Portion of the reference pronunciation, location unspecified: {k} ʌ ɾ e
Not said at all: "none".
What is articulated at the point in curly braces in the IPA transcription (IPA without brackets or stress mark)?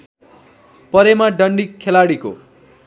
p